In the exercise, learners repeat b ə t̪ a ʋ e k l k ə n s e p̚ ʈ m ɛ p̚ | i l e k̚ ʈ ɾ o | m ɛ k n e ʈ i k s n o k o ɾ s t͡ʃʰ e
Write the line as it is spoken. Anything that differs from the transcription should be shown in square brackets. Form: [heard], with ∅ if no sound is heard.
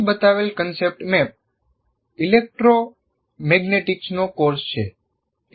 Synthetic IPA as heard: b ə t̪ a ʋ e [∅] l k ə n s e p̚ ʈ m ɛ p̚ | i l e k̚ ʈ ɾ o | m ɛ [ɡ] n e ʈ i k s n o k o ɾ s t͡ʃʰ e